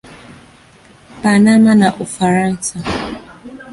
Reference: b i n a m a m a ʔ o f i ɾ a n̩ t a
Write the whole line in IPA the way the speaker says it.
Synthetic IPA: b a n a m a n a ʔ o f a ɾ a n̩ s a